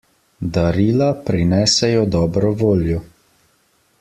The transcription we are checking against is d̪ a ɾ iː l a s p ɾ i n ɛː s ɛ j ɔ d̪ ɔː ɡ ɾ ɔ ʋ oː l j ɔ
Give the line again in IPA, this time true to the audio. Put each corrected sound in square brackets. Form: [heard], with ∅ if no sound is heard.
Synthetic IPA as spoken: d̪ a ɾ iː l a [∅] p ɾ i n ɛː s ɛ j ɔ d̪ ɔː [b] ɾ ɔ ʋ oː l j ɔ